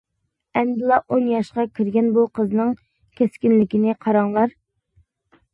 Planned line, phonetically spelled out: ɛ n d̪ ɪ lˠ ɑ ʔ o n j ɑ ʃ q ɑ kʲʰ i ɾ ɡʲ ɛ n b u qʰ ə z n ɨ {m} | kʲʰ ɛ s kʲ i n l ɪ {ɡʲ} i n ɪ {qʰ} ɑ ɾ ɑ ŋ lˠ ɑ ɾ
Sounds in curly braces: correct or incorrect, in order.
incorrect: ŋ, incorrect: kʲ, correct

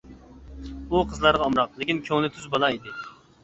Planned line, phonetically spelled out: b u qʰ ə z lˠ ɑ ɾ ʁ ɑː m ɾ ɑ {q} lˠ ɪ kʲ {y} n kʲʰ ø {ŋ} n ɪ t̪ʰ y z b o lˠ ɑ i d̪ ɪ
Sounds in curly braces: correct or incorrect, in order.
correct, incorrect: i, correct

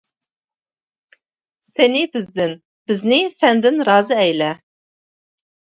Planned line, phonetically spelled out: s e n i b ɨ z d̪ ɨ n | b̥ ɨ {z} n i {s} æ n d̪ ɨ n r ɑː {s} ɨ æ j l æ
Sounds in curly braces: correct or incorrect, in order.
correct, correct, incorrect: z

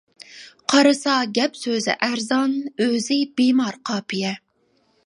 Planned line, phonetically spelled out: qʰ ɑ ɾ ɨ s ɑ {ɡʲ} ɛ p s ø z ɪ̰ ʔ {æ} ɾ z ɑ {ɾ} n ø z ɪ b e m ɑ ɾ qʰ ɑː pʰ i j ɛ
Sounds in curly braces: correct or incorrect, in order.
correct, correct, incorrect: none

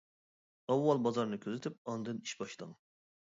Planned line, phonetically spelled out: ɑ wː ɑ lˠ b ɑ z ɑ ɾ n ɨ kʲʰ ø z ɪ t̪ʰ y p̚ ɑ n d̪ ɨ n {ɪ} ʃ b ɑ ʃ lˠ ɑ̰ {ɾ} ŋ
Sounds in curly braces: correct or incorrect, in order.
incorrect: i, incorrect: none

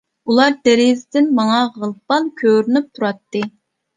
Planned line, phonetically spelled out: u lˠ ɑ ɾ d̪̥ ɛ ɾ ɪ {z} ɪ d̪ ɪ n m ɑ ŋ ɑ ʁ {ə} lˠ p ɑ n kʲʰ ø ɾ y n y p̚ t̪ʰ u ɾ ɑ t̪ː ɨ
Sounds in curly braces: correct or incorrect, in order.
correct, correct

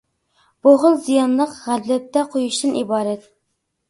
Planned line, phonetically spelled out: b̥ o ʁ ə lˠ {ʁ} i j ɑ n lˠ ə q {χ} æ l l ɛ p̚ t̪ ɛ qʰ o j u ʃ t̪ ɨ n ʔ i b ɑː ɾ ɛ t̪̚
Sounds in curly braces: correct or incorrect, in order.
incorrect: z, incorrect: ʁ

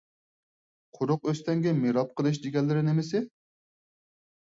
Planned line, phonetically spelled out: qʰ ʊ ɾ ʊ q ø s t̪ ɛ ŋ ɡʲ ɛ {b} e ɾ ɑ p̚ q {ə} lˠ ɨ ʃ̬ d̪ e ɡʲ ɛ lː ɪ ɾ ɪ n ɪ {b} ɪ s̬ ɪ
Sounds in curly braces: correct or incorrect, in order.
incorrect: m, correct, incorrect: m

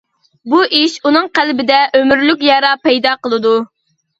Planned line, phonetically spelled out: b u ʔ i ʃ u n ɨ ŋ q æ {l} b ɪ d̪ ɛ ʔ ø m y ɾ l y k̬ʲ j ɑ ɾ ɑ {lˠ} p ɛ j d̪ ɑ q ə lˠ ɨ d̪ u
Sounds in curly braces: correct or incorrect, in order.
correct, incorrect: none

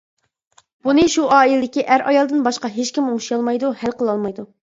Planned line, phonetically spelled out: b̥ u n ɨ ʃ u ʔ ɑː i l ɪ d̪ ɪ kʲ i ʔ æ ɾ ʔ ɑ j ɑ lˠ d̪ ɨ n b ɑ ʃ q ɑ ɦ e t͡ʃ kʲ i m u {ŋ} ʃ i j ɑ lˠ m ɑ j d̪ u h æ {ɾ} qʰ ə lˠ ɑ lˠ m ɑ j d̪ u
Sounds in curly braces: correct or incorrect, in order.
correct, incorrect: l

